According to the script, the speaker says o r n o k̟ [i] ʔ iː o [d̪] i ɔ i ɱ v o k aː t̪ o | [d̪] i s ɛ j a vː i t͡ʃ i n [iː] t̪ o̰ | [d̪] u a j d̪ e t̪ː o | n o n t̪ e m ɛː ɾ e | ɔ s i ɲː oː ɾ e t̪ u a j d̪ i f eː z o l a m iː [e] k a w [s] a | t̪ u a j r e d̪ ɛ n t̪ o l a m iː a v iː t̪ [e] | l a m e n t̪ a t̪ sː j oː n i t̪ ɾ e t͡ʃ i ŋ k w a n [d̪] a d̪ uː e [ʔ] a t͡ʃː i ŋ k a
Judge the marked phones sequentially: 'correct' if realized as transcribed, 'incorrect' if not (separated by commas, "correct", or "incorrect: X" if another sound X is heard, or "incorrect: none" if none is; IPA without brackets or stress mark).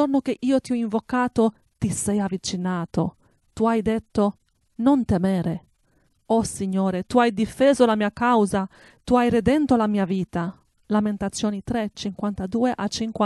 incorrect: e, incorrect: t̪, incorrect: t̪, incorrect: aː, incorrect: t̪, incorrect: a, incorrect: z, incorrect: a, incorrect: t̪, correct